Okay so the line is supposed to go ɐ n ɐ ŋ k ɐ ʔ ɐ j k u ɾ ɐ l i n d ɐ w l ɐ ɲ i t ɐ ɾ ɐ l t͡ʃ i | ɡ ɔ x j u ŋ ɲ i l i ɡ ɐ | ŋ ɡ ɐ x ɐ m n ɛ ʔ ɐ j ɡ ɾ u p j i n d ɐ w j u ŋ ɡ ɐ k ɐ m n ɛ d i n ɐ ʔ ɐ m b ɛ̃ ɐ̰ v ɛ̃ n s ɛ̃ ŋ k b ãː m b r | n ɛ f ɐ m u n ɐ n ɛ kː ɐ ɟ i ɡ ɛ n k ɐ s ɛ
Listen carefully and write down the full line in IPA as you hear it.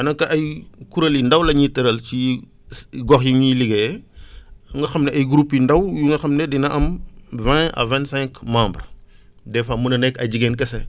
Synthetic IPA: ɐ n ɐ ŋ k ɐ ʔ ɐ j k u ɾ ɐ l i n d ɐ w l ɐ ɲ i t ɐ ɾ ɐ l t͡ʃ i | ɡ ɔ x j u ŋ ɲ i l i ɡ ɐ | ŋ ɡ ɐ x ɐ m n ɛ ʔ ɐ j ɡ ɾ u p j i n d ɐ w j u ŋ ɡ ɐ x ɐ m n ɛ d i n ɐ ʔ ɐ m v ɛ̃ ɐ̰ v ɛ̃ n s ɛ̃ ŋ k m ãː m b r | d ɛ f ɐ m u n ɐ n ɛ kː ɐ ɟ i ɡ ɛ n k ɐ s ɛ

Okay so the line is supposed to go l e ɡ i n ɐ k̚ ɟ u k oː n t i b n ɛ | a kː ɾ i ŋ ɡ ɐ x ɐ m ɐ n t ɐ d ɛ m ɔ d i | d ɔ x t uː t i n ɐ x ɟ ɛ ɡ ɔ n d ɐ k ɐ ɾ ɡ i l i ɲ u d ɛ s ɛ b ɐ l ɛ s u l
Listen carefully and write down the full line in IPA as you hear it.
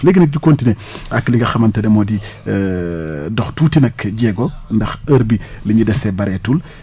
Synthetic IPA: l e ɡ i n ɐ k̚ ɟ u k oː n t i n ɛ | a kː l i ŋ ɡ ɐ x ɐ m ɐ n t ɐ d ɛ m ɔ d i | d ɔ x t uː t i n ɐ k ɟ ɛ ɡ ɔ n d ɐ x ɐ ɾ b i l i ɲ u d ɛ s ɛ b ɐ ɾ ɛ t u l

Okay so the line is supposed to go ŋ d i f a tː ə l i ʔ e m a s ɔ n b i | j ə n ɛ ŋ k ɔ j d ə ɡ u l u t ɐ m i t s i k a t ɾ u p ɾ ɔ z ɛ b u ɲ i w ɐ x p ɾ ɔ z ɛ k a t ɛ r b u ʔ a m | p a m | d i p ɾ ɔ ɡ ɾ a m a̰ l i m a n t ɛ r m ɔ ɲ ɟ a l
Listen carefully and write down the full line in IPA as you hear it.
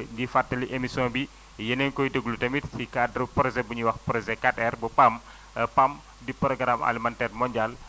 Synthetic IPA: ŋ ɡ i f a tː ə l i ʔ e m i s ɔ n b i | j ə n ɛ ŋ k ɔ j d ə ɡ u l u t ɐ m i t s i k a d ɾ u p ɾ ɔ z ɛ b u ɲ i w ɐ x p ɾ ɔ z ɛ k a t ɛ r b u p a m | p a m | d i p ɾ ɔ ɡ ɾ a m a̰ l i m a n t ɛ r m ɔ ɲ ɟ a l

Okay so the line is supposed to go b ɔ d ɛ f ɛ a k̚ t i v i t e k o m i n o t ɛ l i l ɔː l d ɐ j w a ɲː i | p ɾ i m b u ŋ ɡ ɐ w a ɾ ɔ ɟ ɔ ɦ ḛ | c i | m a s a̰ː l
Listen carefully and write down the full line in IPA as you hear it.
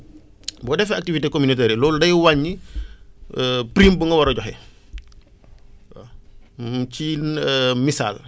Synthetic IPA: b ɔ d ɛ f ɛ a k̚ t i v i t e k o m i n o t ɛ ɾ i l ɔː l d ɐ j w a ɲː i | p ɾ i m b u ŋ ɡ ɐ w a ɾ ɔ ɟ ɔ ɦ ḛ | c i | m i s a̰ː l

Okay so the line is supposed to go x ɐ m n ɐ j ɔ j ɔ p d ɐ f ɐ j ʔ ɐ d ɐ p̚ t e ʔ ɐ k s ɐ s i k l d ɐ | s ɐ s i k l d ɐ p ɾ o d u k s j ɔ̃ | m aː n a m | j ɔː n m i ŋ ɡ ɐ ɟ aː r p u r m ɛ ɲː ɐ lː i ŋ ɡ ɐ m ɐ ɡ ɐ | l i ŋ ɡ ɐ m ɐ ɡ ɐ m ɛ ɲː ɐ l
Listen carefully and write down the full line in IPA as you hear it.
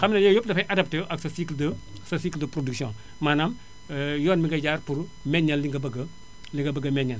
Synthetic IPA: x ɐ m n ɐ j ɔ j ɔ p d ɐ f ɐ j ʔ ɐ d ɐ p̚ t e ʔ ɐ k s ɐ s i k l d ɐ | s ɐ s i k l d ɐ p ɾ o d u k s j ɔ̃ | m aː n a m | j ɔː n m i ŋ ɡ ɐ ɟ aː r p u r m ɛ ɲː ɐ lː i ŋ ɡ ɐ b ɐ ɡ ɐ | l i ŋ ɡ ɐ b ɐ ɡ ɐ m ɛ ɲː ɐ l

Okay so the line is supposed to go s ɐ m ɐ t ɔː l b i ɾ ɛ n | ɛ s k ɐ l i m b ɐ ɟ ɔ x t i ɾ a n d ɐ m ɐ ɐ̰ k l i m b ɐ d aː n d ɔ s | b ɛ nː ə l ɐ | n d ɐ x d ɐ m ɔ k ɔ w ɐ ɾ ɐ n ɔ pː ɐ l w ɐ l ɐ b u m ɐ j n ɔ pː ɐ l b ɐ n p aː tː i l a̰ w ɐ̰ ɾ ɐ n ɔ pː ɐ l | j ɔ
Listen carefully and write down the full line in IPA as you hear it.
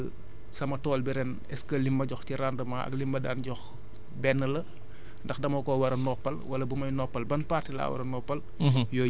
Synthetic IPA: s ɐ m ɐ t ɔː l b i ɾ ɛ n | ɛ s k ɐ l i m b ɐ ɟ ɔ x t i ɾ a n d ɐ m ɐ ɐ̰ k l i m b ɐ d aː n ɟ ɔ x | b ɛ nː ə l ɐ | n d ɐ x d ɐ m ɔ k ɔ w ɐ ɾ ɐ n ɔ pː ɐ l w ɐ l ɐ b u m ɐ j n ɔ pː ɐ l b ɐ n p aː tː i l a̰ w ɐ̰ ɾ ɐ n ɔ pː ɐ l | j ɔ

